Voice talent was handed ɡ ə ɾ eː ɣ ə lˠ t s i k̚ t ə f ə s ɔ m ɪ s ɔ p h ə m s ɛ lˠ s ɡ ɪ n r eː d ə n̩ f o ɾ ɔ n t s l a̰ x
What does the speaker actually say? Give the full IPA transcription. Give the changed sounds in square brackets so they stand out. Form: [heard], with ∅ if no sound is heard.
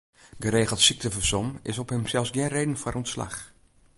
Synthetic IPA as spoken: ɡ ə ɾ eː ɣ ə lˠ t s i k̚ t ə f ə s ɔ m ɪ s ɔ p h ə m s ɛ lˠ s ɡ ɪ n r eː d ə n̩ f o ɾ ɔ n t s l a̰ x